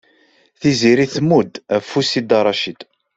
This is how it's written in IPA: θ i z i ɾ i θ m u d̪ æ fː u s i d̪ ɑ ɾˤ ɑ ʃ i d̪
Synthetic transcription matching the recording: θ i z i ɾ i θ m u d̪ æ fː u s i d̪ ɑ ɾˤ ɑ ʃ i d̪